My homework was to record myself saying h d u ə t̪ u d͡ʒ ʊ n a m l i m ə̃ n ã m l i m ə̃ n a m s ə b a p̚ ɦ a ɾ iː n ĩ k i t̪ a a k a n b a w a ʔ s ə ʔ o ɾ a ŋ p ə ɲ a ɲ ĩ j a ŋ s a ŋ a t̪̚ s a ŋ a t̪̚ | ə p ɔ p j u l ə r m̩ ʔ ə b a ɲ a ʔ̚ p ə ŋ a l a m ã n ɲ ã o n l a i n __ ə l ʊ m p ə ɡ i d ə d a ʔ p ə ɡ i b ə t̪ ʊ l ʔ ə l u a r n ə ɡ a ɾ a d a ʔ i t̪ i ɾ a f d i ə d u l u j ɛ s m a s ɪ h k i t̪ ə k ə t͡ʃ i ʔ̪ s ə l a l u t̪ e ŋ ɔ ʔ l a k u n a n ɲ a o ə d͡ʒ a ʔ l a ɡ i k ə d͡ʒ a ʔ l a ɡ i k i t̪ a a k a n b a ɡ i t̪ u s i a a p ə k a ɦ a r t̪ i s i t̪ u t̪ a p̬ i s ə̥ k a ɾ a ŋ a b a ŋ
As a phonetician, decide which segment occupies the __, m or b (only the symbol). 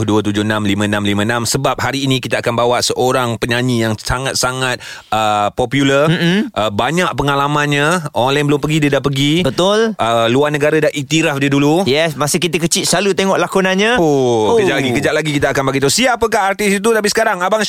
b